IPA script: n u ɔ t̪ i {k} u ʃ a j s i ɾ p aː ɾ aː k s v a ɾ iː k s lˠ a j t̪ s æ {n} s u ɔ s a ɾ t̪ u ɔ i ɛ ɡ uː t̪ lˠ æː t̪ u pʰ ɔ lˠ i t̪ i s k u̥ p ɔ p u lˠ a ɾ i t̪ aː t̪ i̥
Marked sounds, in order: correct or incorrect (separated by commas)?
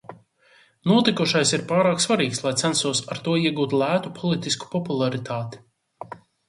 correct, correct